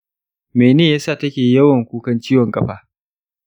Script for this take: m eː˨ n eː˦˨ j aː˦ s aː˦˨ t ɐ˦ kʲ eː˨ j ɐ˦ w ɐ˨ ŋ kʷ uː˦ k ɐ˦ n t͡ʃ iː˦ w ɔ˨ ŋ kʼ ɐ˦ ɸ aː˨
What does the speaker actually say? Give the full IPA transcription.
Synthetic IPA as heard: m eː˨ n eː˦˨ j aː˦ s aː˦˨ t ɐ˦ kʲ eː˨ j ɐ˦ w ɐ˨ ŋ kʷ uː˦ k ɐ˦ n t͡ʃ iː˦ w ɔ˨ ŋ kʼ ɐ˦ ɸ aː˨